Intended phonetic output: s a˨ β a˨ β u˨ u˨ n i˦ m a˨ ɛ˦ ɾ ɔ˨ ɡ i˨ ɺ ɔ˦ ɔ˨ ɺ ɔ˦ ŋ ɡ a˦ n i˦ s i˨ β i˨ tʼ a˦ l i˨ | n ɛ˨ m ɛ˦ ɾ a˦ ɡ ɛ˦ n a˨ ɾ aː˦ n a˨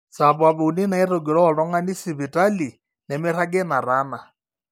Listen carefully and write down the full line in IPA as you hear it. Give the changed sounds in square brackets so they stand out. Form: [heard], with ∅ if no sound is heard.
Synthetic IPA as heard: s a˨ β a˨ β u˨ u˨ n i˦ [n] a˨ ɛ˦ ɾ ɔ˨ ɡ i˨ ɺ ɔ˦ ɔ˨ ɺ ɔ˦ ŋ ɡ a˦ n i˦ s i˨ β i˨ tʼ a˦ l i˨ | n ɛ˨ m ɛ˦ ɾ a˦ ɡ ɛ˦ n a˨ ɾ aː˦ n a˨